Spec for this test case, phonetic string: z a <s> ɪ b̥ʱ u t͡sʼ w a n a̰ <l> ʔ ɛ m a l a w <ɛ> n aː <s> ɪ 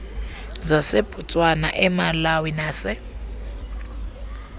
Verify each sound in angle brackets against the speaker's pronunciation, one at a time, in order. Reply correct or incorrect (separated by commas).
correct, incorrect, incorrect, correct